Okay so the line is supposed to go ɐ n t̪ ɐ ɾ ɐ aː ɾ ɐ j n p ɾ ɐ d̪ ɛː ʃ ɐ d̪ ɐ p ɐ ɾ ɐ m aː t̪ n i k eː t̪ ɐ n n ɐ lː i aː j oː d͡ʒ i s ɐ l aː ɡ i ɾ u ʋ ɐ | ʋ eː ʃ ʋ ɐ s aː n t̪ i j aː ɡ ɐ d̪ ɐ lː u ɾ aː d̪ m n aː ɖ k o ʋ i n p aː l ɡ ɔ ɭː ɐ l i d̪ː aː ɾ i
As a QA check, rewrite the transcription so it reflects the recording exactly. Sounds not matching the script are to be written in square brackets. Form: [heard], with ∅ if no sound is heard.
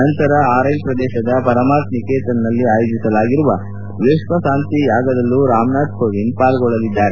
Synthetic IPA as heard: ɐ n t̪ ɐ ɾ ɐ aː ɾ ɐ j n p ɾ ɐ d̪ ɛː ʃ ɐ d̪ ɐ p ɐ ɾ ɐ m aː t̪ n i k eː t̪ ɐ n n ɐ lː i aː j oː d͡ʒ i s ɐ l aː ɡ i ɾ u ʋ ɐ | ʋ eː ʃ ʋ ɐ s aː n t̪ i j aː ɡ ɐ d̪ ɐ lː u ɾ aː [∅] m n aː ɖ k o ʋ i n p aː l ɡ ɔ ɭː ɐ l i d̪ː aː ɾ [e]

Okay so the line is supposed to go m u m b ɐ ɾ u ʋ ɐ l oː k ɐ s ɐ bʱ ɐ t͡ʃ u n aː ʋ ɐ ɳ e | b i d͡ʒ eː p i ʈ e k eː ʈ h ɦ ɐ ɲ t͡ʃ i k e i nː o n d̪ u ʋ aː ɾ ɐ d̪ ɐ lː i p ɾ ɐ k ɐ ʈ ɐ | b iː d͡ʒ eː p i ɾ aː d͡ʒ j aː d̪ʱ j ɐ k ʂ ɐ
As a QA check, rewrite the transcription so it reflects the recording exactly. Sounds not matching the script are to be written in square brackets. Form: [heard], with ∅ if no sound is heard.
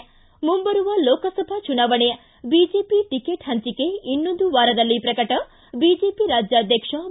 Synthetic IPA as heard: m u m b ɐ ɾ u ʋ ɐ l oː k ɐ s ɐ bʱ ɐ t͡ʃ u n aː ʋ ɐ ɳ e | b i d͡ʒ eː p i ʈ [i] k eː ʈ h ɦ ɐ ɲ t͡ʃ i k e i nː o n d̪ u ʋ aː ɾ ɐ d̪ ɐ lː i p ɾ ɐ k ɐ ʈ ɐ | b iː d͡ʒ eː p i ɾ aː d͡ʒ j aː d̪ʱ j ɐ k ʂ ɐ

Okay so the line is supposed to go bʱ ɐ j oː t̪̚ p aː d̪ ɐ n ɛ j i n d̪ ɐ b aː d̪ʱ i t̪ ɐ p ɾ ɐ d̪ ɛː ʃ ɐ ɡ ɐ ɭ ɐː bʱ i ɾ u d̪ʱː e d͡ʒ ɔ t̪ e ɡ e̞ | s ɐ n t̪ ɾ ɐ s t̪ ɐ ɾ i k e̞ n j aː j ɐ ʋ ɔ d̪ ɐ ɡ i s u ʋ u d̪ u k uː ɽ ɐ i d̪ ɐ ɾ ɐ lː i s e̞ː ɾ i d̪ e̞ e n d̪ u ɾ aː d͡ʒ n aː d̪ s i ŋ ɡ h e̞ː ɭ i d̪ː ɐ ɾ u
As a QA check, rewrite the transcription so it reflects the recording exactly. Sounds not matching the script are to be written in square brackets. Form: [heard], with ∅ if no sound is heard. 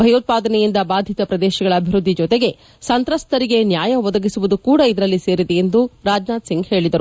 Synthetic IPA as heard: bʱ ɐ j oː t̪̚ p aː d̪ ɐ n ɛ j i n d̪ ɐ b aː d̪ʱ i t̪ ɐ p ɾ ɐ d̪ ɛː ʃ ɐ ɡ ɐ ɭ ɐː bʱ i ɾ u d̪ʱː [i] d͡ʒ ɔ t̪ e ɡ e̞ | s ɐ n t̪ ɾ ɐ s t̪ ɐ ɾ i [ɡ] e̞ n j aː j ɐ ʋ ɔ d̪ ɐ ɡ i s u ʋ u d̪ u k uː ɽ ɐ i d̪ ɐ ɾ ɐ lː i s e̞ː ɾ i d̪ e̞ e n d̪ u ɾ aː d͡ʒ n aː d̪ s i ŋ ɡ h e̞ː ɭ i [d̪] ɐ ɾ u

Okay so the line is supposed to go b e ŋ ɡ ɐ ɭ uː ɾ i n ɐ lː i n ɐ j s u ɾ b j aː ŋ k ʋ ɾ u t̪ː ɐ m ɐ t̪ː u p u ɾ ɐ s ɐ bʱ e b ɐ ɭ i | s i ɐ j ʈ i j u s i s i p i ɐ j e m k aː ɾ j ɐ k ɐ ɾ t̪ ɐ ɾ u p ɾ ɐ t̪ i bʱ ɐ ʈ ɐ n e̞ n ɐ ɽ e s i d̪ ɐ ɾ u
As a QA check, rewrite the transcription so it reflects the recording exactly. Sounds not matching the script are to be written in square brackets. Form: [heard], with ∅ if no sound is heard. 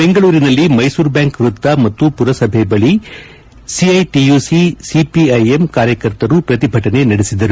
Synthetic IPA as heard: b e ŋ ɡ ɐ ɭ uː ɾ i n ɐ lː i [m] ɐ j s [uː] ɾ b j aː ŋ k ʋ ɾ u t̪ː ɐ m ɐ t̪ː u p u ɾ ɐ s ɐ bʱ e b ɐ ɭ i | s i ɐ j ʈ i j u s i s i p i ɐ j e m k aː ɾ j ɐ k ɐ ɾ t̪ ɐ ɾ u p ɾ ɐ t̪ i bʱ ɐ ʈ ɐ n e̞ n ɐ ɽ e s i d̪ ɐ ɾ u

